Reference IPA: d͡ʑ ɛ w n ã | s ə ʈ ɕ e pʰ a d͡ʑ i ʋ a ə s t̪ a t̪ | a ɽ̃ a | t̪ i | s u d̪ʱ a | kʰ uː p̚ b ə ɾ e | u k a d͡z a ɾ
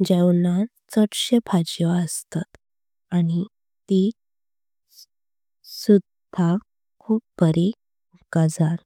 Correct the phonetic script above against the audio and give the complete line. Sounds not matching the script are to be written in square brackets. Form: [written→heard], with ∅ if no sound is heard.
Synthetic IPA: d͡ʑ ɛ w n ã | [s→t͡s] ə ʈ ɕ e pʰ a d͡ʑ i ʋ a ə s t̪ a t̪ | a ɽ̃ [a→i] | t̪ i | s u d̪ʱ a | kʰ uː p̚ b ə ɾ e | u k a d͡z a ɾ